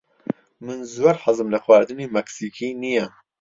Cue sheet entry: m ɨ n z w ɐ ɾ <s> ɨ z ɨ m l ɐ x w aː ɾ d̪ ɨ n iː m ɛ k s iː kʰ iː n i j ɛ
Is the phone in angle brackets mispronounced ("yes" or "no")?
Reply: yes